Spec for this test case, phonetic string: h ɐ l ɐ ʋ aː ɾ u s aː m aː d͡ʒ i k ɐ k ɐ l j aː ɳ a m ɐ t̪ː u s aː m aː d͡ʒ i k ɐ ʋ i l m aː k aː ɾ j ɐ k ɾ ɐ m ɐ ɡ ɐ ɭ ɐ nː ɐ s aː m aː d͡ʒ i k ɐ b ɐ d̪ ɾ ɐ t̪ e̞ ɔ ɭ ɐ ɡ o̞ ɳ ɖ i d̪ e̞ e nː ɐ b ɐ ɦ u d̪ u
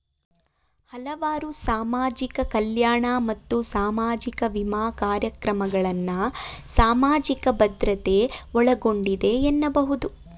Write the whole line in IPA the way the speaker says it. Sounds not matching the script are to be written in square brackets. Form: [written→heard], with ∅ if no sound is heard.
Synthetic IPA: h ɐ l ɐ ʋ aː ɾ u s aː m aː d͡ʒ i k ɐ k ɐ l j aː ɳ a m ɐ t̪ː u s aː m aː d͡ʒ i k ɐ ʋ i [l→∅] m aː k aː ɾ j ɐ k ɾ ɐ m ɐ ɡ ɐ ɭ ɐ nː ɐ s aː m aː d͡ʒ i k ɐ b ɐ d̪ ɾ ɐ t̪ e̞ ɔ ɭ ɐ ɡ o̞ ɳ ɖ i d̪ e̞ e nː ɐ b ɐ ɦ u d̪ u